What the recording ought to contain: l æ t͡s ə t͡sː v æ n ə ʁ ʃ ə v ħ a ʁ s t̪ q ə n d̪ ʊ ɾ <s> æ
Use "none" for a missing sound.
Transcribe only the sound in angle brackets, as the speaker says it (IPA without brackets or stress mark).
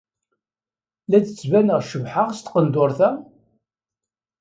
θ